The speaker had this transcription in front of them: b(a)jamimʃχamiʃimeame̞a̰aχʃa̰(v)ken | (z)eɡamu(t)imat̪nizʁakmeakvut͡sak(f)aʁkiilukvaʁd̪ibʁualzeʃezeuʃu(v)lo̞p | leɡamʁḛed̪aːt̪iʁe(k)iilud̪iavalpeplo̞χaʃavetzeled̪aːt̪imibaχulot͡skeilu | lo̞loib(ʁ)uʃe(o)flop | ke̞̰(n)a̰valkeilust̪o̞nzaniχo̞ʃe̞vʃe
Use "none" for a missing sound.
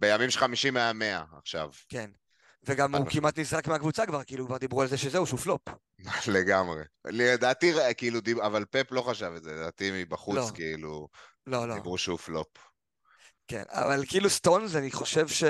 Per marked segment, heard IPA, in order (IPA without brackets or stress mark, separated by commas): e, v, v, k, v, f, k, ʁ, u, n